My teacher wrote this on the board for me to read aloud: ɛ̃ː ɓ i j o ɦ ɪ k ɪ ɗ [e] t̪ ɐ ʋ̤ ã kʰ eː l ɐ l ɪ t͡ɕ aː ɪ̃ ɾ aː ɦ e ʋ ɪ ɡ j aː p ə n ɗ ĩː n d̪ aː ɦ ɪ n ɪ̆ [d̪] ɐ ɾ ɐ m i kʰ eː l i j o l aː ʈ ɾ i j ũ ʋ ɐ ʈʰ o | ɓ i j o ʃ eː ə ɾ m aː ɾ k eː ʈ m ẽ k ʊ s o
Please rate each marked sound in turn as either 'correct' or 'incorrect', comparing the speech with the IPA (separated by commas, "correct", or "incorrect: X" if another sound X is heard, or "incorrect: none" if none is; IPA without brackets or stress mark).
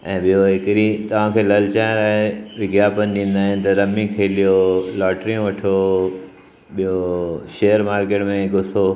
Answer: incorrect: i, incorrect: t̪